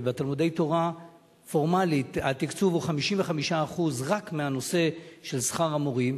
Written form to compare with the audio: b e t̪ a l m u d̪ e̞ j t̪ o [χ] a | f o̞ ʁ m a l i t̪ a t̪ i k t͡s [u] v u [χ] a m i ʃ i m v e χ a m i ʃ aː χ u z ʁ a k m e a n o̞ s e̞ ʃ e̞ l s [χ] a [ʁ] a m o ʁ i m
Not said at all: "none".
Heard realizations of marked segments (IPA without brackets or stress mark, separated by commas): ʁ, u, χ, χ, ʁ